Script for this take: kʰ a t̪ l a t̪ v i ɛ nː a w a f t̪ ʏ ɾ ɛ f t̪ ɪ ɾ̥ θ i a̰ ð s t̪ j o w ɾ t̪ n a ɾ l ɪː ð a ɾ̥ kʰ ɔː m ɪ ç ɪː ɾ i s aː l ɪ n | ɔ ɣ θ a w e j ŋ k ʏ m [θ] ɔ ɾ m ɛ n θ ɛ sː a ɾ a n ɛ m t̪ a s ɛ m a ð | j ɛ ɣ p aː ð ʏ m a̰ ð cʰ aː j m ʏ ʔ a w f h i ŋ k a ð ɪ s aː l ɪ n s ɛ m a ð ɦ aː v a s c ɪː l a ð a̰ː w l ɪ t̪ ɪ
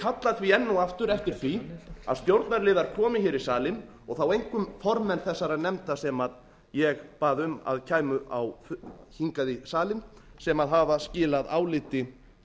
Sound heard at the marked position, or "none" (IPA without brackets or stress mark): f